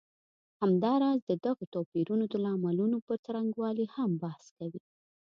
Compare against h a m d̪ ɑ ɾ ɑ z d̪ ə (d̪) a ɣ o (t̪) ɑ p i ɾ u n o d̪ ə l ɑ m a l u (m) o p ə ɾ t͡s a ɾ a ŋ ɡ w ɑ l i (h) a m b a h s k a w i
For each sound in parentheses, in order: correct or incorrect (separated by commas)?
correct, correct, incorrect, correct